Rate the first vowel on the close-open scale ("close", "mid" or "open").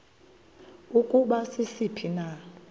close